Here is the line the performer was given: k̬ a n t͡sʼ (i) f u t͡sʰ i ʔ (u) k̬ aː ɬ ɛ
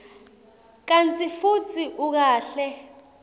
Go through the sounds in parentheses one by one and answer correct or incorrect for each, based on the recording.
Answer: correct, correct

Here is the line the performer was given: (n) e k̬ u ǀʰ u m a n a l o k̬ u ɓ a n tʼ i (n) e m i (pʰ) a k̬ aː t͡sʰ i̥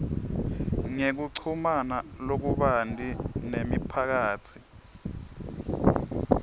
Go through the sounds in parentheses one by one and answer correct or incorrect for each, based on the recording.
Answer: incorrect: ŋ, correct, correct

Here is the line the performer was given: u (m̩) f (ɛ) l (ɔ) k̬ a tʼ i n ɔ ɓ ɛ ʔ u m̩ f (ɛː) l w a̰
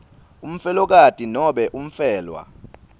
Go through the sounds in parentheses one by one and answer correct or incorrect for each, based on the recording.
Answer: correct, correct, correct, correct

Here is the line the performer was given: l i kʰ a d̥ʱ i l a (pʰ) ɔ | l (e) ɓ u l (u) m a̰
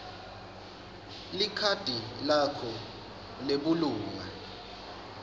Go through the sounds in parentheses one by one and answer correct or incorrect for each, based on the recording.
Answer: incorrect: kʰ, correct, incorrect: uː

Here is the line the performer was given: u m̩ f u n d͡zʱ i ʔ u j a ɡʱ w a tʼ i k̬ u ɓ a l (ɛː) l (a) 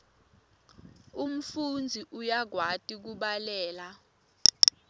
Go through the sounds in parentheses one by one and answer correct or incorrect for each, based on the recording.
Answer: correct, correct

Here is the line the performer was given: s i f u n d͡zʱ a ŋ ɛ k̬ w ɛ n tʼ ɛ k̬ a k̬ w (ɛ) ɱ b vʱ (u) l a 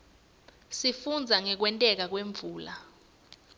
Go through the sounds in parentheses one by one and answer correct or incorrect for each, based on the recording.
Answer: incorrect: e, incorrect: uː

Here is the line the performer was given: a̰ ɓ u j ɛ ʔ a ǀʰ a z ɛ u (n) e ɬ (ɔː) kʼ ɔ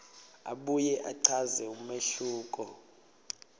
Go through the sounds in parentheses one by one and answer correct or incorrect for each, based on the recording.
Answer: incorrect: m, incorrect: uː

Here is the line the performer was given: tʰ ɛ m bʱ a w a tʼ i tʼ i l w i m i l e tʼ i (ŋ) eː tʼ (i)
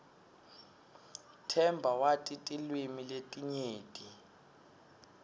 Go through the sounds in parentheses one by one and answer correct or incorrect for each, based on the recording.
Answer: incorrect: ɲ, correct

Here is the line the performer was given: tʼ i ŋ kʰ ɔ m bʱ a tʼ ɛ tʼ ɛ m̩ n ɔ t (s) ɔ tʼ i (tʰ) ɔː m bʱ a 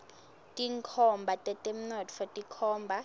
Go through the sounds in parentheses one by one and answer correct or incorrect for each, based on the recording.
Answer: incorrect: f, incorrect: kʰ

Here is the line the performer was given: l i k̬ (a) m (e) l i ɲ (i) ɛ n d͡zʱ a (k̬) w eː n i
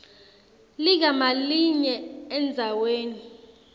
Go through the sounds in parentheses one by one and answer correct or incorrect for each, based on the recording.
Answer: correct, incorrect: a, incorrect: ɛ, incorrect: none

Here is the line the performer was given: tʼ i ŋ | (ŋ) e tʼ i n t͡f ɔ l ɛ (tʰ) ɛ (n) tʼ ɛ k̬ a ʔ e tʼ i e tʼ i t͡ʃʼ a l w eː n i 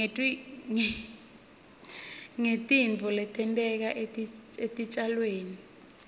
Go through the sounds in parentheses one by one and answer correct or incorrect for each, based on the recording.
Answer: correct, correct, correct

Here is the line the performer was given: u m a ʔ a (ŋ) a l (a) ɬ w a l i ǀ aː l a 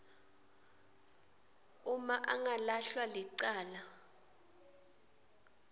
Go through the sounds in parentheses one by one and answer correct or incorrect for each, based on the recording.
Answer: correct, correct

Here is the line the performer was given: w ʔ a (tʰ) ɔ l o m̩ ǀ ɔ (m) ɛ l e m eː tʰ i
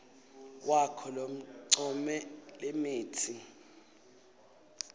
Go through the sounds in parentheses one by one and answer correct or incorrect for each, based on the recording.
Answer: incorrect: kʰ, correct

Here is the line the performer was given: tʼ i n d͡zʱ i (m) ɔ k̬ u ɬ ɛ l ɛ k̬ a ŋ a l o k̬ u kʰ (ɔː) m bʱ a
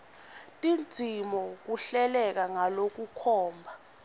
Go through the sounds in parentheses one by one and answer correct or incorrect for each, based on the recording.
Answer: correct, correct

